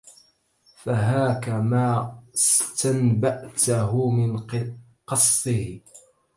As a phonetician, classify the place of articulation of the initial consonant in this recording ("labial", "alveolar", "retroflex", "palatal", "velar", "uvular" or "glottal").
labial